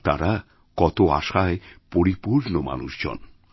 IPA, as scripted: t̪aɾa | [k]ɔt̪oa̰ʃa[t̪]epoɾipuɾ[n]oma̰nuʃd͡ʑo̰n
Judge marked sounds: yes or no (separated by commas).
yes, no, yes